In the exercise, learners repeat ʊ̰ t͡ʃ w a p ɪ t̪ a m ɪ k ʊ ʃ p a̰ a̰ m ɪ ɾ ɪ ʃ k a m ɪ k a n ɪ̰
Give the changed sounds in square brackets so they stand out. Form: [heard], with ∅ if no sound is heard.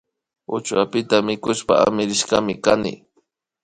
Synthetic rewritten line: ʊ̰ t͡ʃ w a p ɪ t̪ a m ɪ k ʊ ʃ p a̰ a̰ m ɪ ɾ ɪ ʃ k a m ɪ k a n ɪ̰